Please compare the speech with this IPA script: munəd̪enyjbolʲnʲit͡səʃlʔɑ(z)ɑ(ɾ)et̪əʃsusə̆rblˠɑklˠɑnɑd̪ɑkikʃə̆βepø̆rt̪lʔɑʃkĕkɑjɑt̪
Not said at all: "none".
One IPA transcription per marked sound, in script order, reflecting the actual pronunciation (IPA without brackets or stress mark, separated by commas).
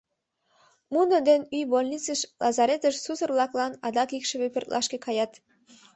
z, ɾ